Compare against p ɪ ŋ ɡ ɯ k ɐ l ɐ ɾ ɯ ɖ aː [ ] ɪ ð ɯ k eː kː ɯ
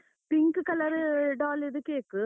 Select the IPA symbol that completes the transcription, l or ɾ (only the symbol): l